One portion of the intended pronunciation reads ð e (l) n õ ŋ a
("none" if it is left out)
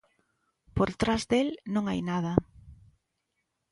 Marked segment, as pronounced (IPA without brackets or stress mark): l